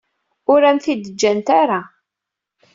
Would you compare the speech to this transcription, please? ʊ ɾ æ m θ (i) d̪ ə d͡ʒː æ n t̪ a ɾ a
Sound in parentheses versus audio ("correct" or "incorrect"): correct